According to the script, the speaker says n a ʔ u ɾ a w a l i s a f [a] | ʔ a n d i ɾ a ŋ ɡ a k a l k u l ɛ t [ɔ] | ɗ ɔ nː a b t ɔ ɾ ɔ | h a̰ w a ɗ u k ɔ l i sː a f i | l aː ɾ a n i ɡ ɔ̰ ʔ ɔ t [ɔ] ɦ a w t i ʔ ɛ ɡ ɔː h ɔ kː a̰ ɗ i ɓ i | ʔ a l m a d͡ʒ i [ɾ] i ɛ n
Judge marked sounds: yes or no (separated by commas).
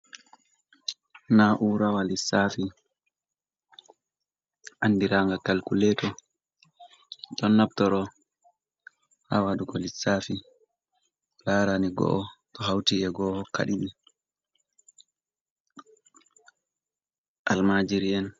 no, yes, yes, yes